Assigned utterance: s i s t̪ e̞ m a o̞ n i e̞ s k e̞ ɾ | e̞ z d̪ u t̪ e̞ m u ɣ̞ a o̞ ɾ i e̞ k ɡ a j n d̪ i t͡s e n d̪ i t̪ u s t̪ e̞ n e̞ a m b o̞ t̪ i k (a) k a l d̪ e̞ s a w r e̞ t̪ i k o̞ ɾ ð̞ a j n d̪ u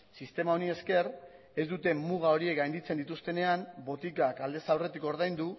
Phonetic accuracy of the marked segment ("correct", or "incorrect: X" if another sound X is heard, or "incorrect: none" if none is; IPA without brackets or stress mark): correct